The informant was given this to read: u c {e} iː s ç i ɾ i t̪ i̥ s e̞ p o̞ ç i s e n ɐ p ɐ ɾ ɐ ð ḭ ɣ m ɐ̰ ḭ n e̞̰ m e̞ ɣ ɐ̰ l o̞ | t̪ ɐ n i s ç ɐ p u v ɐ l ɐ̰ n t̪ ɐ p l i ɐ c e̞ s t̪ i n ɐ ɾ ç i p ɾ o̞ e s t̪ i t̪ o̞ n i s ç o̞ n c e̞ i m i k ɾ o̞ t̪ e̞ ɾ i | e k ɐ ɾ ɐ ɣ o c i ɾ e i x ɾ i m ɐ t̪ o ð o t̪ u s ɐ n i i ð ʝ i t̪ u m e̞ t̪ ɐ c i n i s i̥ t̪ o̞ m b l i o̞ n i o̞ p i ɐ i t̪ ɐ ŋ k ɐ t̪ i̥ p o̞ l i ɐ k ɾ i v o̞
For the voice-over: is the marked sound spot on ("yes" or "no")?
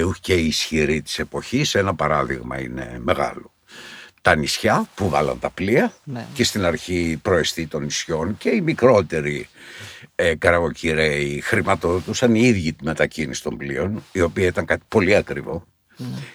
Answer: yes